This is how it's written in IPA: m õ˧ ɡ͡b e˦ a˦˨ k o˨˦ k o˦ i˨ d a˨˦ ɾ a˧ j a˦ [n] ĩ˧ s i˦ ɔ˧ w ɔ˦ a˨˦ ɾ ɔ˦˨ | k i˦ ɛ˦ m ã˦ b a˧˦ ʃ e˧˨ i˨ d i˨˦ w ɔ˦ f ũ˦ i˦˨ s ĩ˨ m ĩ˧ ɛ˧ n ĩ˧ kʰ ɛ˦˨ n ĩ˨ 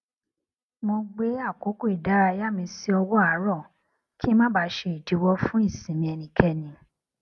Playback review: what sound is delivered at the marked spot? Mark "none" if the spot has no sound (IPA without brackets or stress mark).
m